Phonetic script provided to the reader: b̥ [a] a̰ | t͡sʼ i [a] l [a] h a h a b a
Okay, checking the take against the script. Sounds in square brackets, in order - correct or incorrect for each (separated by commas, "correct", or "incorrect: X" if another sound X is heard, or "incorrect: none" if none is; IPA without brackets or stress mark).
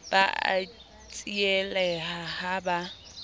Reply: correct, incorrect: ɛ, incorrect: ɛ